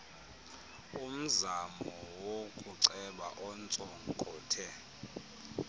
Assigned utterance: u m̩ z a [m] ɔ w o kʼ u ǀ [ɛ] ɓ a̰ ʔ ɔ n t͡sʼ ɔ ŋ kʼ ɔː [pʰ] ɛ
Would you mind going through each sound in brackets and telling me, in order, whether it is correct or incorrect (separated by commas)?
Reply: correct, correct, incorrect